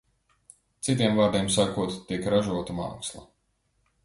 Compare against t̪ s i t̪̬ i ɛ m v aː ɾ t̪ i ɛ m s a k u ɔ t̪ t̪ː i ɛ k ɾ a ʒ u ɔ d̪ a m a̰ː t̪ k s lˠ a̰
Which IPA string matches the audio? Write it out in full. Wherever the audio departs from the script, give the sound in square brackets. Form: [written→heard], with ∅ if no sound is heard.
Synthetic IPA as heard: t̪ s i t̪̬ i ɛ m v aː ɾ [t̪→d̪] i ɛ m s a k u ɔ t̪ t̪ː i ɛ k ɾ a ʒ u ɔ [d̪→t̪] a m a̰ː [t̪→∅] k s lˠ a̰